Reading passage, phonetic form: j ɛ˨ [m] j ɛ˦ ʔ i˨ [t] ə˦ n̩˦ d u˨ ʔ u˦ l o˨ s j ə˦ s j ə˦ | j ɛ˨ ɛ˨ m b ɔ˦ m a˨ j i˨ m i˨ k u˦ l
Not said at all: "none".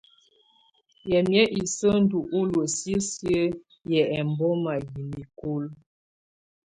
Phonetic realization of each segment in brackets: m, s

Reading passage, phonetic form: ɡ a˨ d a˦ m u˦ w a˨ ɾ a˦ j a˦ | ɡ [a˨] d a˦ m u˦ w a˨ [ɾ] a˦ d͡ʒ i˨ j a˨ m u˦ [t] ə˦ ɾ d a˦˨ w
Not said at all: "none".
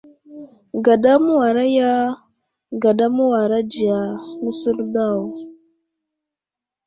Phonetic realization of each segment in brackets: a˨, ɾ, s

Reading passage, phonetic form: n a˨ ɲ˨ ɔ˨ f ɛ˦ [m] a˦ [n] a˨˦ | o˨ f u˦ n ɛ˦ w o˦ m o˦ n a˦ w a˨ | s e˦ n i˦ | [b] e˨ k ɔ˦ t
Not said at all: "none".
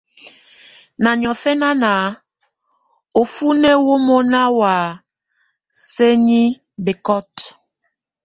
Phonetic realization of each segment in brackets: n, n, b

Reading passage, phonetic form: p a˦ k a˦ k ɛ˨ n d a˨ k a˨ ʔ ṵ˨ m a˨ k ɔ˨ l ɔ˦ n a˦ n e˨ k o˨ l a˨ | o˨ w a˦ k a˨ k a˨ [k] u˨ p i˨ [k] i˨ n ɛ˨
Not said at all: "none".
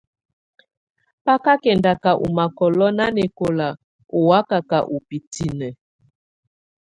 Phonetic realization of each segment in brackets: ʔ, t

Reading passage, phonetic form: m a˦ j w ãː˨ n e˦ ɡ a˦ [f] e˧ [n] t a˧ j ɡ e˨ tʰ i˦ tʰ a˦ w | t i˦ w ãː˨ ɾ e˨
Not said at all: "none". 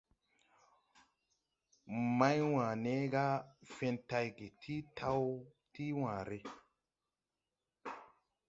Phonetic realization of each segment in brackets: f, n

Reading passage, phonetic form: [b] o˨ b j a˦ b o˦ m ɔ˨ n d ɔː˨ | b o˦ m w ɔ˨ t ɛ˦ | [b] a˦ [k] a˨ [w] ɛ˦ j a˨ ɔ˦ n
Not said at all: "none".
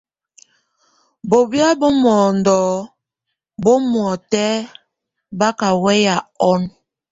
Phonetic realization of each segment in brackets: b, b, k, w

